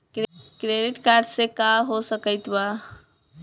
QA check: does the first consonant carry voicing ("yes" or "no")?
no